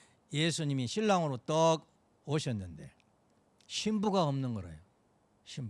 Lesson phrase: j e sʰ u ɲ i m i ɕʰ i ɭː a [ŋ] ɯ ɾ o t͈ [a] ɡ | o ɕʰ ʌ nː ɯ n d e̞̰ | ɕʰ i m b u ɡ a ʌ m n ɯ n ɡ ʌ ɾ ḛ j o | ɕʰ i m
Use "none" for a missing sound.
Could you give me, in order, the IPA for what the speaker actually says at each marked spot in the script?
ŋ, ʌ

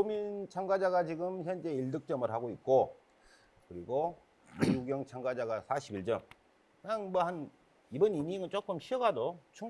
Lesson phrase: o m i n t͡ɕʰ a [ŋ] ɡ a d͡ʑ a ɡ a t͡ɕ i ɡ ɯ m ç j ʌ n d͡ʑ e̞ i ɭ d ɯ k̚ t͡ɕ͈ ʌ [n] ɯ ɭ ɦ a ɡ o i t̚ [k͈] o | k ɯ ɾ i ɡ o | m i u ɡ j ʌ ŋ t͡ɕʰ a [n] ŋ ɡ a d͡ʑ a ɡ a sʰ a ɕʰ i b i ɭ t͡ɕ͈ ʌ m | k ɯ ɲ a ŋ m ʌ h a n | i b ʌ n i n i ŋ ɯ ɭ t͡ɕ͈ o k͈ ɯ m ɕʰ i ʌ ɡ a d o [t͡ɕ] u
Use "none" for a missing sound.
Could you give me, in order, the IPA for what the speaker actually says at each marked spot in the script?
ŋ, m, k͈, none, t͡ɕʰ

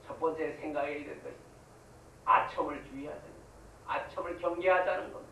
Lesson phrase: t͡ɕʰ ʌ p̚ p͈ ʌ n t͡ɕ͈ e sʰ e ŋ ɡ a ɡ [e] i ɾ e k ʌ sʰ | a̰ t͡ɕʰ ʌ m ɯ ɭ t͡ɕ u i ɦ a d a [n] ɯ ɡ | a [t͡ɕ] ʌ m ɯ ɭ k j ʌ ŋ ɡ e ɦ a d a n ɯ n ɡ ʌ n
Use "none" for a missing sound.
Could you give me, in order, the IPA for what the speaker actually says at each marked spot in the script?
e, n, t͡ɕʰ

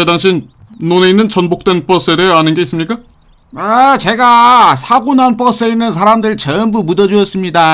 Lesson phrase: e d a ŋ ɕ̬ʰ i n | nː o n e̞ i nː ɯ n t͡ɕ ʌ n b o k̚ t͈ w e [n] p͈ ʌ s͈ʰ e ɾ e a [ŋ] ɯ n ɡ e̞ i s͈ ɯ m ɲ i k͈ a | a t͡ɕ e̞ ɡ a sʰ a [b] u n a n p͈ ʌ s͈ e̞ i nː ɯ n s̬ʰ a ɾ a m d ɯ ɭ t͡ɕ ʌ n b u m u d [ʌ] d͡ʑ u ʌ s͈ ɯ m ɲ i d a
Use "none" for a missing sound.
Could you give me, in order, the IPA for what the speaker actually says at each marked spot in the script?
n, n, ɡ, ʌ

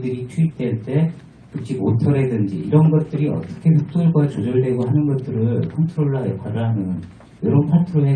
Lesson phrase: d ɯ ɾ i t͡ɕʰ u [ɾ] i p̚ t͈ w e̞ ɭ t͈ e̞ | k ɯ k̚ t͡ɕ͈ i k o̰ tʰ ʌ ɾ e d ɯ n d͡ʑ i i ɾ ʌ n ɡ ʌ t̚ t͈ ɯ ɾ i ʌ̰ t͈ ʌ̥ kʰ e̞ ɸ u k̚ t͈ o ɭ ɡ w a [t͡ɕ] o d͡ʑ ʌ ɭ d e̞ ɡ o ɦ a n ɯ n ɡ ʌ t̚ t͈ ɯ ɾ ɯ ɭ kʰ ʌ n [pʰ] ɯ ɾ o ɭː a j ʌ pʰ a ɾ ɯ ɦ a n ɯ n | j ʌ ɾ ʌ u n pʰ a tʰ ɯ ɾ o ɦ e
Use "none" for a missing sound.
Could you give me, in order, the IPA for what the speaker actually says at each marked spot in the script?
none, t͡ɕ, tʰ

